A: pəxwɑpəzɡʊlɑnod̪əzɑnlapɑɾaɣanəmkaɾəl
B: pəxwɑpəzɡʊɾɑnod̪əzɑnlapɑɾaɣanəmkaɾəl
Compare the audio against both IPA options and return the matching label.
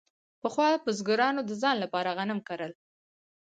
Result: B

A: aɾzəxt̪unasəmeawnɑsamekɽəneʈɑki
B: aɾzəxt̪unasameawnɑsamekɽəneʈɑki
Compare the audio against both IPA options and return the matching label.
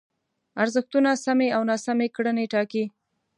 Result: B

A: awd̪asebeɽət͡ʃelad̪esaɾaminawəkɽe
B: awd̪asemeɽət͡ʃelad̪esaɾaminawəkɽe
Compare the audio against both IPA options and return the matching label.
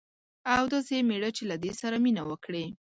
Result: B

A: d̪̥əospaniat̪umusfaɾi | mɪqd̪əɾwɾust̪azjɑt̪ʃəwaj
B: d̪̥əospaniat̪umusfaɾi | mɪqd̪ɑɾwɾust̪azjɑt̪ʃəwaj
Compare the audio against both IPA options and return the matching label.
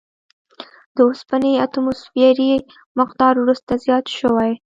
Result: B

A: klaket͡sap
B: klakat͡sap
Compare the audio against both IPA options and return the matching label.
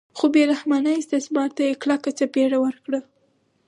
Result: B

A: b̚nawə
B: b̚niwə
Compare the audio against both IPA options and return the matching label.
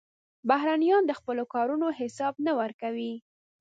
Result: A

